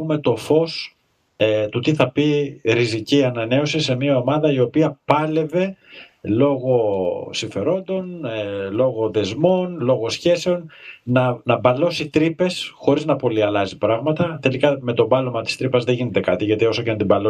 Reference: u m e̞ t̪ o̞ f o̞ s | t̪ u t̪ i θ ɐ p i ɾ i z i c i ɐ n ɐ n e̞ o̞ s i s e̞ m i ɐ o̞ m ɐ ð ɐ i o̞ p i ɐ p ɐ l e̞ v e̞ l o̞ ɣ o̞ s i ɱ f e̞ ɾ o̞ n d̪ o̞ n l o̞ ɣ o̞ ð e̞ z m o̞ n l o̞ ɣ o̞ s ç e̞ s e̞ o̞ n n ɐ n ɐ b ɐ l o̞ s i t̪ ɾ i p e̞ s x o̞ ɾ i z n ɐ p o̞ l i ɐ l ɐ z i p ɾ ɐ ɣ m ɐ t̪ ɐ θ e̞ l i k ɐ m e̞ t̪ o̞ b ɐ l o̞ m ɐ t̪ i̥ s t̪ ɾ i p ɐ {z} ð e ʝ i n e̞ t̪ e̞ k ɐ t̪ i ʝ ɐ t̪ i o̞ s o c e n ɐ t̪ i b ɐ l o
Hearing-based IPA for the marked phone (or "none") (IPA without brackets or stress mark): z